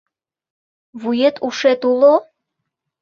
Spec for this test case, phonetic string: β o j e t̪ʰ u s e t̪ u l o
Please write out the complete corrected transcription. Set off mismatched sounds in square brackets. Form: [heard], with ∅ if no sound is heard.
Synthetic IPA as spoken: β [u] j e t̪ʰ u [ʃ] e t̪ u l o